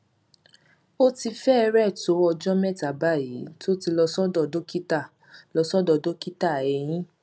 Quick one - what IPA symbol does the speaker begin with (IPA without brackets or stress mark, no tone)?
o